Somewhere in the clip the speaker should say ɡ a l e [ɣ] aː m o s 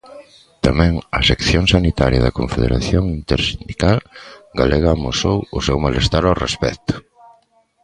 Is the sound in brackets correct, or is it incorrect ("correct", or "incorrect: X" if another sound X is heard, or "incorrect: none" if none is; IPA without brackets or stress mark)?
correct